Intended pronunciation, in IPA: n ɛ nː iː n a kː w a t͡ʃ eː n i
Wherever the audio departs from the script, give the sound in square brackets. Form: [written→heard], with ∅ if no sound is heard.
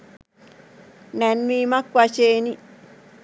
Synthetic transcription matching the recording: n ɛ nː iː [n→m] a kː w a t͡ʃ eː n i